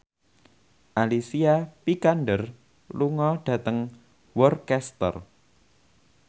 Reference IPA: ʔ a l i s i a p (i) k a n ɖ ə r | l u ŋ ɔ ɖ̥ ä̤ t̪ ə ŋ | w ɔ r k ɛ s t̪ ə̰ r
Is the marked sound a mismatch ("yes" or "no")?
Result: no